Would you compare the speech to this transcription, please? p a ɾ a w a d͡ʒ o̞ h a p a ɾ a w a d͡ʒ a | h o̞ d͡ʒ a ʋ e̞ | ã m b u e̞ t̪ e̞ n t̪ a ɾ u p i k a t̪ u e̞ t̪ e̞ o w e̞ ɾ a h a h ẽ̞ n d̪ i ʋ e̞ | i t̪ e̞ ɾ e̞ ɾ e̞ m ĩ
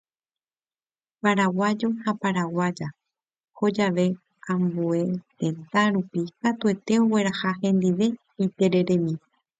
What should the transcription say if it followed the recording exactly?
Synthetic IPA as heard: p a ɾ a w a d͡ʒ o̞ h a p a ɾ a w a d͡ʒ a | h o̞ d͡ʒ a ʋ e̞ | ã m b u e̞ t̪ e̞ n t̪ a ɾ u p i k a t̪ u e̞ t̪ e̞ o w e̞ ɾ a h a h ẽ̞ n d̪ i ʋ e̞ | i t̪ e̞ ɾ e̞ ɾ e̞ m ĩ